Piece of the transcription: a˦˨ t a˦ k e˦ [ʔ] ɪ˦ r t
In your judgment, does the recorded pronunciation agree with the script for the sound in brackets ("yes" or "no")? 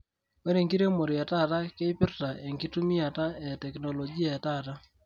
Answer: no